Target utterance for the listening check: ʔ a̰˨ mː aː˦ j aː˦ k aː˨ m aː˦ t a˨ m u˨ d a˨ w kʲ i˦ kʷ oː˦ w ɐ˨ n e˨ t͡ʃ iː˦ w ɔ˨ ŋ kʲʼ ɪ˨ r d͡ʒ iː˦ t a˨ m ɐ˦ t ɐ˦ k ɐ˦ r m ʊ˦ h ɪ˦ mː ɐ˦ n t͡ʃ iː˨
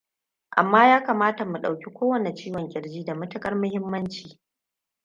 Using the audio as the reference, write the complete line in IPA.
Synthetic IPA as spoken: ʔ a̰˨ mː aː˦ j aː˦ k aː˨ m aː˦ t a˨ m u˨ ɗ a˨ w kʲ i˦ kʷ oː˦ w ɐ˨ n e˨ t͡ʃ iː˦ w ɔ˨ ŋ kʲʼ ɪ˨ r d͡ʒ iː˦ d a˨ m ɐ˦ t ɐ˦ kʼ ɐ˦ r m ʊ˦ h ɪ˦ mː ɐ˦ n t͡ʃ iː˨

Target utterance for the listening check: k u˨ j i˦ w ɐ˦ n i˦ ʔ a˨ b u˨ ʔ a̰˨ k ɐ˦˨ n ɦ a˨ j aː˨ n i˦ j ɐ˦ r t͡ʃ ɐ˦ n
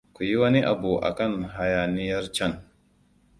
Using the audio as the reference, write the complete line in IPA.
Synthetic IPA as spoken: k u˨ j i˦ w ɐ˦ n i˦ ʔ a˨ b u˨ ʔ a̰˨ k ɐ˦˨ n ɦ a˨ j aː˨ n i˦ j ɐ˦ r t͡ʃ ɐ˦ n

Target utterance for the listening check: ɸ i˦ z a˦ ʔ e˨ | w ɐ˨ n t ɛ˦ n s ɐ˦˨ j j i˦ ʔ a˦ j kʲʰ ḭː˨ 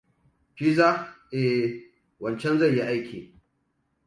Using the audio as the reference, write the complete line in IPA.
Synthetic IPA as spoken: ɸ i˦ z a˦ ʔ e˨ | w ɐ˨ n t͡ʃ ɛ˦ n z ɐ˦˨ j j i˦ ʔ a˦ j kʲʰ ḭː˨

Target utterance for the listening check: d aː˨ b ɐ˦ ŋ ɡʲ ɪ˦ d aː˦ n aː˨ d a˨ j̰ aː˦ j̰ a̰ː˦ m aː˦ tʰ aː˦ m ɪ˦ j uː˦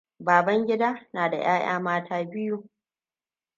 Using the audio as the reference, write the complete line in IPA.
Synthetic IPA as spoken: b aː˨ b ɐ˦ ŋ ɡʲ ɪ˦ d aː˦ n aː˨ d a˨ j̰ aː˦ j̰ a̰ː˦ m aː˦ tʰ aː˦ b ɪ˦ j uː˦

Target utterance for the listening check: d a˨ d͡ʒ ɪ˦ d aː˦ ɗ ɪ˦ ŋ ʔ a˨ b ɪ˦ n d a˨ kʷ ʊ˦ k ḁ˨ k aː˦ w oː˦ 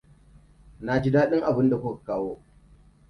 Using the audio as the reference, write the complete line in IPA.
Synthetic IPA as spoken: n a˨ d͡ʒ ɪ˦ d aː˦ ɗ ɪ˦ ŋ ʔ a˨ b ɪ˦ n d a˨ kʷ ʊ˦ k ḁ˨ k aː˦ w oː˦

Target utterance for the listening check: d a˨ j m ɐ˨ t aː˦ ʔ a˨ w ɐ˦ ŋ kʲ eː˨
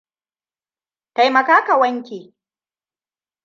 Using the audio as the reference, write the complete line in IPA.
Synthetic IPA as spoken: t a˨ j m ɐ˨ k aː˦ k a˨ w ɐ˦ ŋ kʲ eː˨

